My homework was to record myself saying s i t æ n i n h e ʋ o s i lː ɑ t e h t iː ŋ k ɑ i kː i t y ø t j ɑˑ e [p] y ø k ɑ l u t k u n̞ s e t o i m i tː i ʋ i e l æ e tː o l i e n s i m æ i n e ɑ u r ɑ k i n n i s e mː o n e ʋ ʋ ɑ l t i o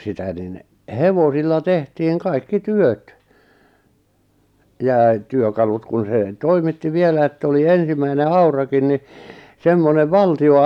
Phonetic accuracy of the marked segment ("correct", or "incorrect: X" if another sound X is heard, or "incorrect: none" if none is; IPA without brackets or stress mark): incorrect: t